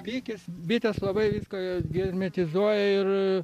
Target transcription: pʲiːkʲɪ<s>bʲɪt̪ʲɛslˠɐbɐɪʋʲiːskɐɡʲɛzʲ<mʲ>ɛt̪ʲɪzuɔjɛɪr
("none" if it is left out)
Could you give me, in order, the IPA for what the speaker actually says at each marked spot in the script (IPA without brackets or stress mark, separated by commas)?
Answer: s, mʲ